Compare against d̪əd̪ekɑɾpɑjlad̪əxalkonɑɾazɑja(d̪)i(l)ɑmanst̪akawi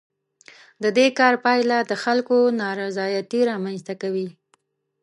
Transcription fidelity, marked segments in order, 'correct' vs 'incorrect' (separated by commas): incorrect, incorrect